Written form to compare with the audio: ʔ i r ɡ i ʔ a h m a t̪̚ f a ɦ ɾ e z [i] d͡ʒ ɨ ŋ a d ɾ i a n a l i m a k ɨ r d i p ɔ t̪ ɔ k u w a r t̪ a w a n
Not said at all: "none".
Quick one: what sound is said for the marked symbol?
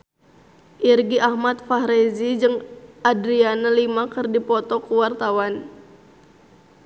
i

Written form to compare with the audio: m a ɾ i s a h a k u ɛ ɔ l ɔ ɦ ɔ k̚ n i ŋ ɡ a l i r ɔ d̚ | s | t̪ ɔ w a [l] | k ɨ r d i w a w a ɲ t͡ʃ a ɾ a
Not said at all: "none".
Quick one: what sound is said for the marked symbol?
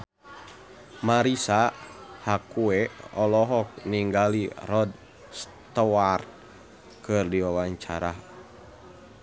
r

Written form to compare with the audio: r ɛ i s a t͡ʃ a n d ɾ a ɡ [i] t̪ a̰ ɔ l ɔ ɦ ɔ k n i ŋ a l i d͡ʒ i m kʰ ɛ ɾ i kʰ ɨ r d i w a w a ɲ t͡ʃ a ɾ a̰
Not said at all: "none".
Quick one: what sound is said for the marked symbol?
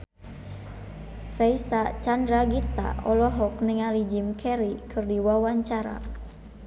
i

